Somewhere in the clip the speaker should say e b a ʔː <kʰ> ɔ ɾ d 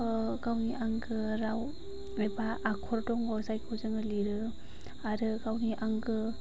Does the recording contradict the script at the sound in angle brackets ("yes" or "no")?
no